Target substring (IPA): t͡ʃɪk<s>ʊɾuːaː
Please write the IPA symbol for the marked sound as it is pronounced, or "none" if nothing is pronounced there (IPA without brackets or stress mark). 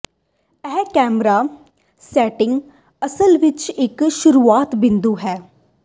ʃ